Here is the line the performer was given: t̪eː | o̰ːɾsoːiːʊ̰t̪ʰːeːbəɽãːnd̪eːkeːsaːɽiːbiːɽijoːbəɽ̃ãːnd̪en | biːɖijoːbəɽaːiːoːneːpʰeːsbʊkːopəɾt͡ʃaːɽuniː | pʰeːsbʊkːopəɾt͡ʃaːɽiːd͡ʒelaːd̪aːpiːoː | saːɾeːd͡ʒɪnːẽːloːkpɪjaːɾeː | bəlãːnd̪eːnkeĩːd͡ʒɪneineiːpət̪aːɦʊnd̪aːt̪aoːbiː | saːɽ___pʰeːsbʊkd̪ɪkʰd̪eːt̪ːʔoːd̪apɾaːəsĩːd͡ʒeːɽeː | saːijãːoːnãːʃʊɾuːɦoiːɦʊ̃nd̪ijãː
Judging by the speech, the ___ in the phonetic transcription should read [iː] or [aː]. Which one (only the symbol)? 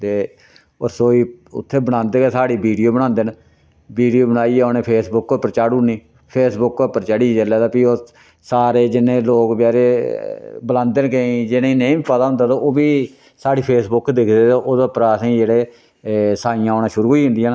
iː